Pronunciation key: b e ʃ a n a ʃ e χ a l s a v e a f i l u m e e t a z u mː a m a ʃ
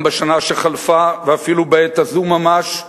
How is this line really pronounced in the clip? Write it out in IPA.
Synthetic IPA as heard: b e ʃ a n a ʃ e χ a l f a v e a f i l u b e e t a z u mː a m a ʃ